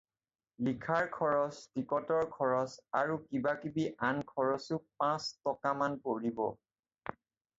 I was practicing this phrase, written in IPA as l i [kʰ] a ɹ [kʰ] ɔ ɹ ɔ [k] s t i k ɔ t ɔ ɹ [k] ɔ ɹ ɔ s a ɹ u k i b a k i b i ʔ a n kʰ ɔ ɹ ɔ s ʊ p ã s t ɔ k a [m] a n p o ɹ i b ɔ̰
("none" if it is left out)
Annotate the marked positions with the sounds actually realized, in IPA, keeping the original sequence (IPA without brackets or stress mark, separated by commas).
kʰ, kʰ, none, kʰ, m